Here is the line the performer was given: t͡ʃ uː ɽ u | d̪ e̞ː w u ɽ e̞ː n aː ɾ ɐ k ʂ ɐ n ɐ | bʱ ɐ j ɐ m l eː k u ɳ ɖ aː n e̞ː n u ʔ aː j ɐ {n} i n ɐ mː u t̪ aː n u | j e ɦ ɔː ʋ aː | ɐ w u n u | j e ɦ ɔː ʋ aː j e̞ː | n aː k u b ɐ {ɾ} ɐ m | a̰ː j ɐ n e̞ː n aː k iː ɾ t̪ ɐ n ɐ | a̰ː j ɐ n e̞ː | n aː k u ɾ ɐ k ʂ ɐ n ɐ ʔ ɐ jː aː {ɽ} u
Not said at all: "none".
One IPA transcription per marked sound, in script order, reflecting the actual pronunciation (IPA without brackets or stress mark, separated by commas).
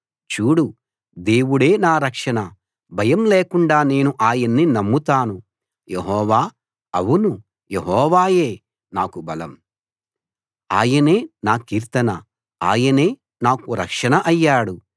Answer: nː, l, ɽ